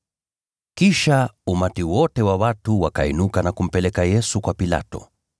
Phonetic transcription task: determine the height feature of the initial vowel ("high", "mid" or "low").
high